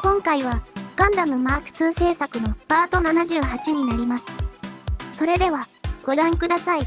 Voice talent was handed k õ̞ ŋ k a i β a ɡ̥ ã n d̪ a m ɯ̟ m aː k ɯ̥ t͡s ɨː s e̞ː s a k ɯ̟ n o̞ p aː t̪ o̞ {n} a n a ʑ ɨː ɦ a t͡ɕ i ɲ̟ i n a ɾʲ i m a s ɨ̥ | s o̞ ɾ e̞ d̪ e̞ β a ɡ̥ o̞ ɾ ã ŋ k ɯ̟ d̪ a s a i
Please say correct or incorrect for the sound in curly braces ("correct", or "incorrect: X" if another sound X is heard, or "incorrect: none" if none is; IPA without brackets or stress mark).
correct